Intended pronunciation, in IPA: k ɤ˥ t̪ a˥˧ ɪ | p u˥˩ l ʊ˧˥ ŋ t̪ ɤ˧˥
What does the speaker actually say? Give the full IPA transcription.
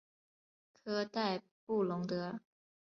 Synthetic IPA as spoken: kʰ ɤ˥ t̪ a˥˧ ɪ | p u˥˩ l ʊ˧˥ ŋ t̪ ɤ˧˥